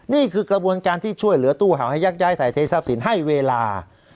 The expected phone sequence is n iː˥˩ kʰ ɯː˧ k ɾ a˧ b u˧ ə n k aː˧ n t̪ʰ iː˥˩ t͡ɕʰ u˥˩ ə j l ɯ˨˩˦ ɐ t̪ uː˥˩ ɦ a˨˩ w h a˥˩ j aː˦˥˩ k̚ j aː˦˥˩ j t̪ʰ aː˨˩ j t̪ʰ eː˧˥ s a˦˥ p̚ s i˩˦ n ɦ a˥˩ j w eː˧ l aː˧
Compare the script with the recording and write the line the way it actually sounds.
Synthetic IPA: n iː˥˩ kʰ ɯː˧ k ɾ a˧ b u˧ ə n k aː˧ n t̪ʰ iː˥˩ t͡ɕʰ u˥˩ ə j l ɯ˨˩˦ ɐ t̪ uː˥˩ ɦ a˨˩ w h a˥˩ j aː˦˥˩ k̚ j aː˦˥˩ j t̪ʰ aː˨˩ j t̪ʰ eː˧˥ s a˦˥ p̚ s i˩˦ n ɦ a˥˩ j w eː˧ l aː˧

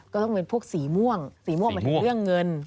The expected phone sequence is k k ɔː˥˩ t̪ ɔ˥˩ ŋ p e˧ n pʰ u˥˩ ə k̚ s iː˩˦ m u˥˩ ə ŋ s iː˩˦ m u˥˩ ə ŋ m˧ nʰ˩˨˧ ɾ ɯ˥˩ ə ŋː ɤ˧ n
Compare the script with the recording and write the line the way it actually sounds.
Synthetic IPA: k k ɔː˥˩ t̪ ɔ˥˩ ŋ p e˧ n pʰ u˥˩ ə k̚ s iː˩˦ m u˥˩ ə ŋ s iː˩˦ m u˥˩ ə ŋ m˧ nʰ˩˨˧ ɾ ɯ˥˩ ə ŋː ɤ˧ n

